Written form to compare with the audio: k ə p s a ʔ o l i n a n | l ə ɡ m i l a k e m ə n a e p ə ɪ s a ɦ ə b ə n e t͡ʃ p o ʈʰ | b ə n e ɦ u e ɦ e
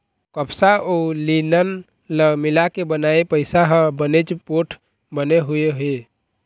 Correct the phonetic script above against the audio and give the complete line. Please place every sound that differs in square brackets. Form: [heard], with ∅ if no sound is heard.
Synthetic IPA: k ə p s a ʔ o l i n [ə] n | l ə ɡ m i l a k e [b] ə n a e p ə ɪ s a ɦ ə b ə n e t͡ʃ p o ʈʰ | b ə n e ɦ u e ɦ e